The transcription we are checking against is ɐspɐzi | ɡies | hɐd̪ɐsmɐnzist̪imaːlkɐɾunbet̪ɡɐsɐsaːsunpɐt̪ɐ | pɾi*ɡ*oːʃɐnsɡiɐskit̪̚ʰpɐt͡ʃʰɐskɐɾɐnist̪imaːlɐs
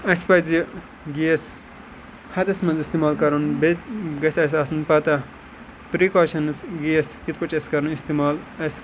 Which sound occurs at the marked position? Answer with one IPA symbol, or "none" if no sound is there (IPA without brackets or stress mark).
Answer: k